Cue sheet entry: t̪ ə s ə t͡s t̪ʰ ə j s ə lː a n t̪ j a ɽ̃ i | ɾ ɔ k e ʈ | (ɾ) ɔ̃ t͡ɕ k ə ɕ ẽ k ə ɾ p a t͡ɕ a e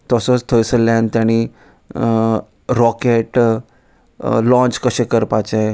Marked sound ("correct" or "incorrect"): incorrect